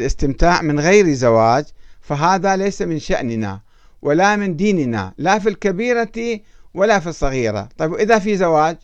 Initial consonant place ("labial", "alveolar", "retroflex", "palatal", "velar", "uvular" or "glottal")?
alveolar